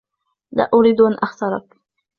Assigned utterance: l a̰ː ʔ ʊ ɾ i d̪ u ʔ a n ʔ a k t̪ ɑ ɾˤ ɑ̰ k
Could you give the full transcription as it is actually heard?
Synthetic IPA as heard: l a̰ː ʔ ʊ ɾ i d̪ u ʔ a n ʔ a x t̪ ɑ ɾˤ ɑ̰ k